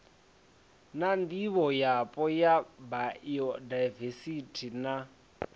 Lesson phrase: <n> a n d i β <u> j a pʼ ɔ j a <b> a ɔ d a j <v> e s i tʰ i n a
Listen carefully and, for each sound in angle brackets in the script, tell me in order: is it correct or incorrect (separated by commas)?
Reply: correct, incorrect, correct, correct